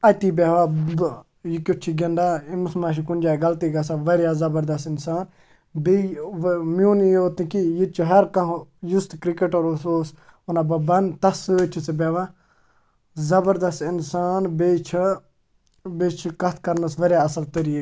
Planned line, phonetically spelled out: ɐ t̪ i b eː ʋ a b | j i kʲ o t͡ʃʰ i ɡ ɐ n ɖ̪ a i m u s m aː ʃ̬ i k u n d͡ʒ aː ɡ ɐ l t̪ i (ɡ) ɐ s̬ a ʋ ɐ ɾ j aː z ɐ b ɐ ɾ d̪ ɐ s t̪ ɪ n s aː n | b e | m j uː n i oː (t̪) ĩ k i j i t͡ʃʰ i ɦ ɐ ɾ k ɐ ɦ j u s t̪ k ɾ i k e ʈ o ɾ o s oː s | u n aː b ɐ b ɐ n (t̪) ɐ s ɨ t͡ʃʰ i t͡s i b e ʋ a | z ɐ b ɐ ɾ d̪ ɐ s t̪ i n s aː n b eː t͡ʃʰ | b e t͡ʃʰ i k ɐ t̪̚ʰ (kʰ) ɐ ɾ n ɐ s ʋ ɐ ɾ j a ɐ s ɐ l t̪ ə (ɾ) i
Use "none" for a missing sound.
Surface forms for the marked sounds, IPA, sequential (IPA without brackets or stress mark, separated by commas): ɡ, t̪, t̪, k, ɾ